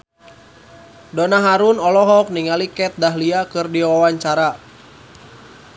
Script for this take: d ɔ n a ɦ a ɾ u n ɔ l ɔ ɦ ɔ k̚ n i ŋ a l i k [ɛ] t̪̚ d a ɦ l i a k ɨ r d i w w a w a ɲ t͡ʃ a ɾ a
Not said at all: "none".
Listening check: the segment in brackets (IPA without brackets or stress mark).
ɛ